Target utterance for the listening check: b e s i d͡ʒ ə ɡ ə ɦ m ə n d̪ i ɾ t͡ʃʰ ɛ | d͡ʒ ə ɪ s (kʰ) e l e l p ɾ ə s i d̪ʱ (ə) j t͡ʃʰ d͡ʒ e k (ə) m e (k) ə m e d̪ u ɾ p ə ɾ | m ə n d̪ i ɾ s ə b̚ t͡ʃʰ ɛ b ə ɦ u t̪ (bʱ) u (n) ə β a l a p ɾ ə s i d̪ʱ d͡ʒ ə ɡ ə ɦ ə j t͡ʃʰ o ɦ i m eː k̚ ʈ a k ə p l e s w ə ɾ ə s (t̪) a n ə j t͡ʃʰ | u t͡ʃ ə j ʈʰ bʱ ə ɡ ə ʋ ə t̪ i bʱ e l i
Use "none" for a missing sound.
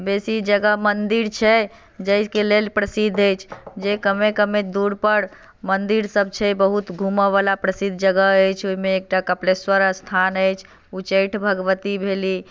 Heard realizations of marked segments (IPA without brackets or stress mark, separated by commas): k, ə, ə, k, ɡʱ, m, t̪ʰ